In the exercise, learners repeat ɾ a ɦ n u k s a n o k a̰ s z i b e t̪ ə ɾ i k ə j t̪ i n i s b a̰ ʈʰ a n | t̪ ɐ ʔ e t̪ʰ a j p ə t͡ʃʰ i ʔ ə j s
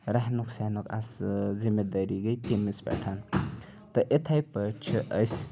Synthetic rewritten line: ɾ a ɦ n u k s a n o k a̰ s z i m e d̪ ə ɾ i ɡ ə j t̪ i m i s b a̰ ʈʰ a n | t̪ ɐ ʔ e t̪ʰ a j p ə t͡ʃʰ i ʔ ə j s